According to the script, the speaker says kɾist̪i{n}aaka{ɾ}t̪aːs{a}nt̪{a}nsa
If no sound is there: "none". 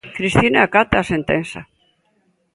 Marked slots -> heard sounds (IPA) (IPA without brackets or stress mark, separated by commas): n, none, e, e